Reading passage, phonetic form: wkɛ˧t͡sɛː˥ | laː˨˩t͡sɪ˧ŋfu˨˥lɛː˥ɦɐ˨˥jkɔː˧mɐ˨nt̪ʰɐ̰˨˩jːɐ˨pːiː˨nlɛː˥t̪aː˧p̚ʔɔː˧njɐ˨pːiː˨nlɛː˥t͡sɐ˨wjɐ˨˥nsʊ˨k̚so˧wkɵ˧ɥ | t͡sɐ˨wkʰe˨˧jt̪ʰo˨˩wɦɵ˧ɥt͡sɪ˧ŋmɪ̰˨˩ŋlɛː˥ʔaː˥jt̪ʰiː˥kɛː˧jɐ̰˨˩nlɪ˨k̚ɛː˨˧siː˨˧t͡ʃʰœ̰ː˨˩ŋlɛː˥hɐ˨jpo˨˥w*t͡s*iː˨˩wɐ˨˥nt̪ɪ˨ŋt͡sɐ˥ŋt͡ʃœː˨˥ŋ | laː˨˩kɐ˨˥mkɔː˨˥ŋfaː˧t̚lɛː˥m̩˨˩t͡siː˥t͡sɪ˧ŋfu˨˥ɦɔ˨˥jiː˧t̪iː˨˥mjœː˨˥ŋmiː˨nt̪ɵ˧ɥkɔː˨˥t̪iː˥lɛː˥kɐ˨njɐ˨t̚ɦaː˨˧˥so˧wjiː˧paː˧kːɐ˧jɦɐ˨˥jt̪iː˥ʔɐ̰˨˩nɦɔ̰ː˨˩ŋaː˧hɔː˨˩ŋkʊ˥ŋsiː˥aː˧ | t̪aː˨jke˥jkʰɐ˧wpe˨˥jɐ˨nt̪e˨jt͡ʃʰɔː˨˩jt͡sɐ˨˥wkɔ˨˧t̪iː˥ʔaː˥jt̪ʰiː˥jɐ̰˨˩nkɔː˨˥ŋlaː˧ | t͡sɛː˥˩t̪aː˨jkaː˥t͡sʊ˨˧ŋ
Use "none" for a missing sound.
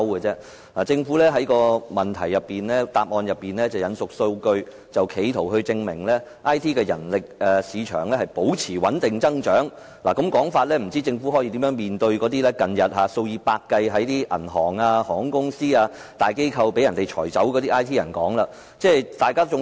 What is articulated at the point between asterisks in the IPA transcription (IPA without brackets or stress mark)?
t͡sʰ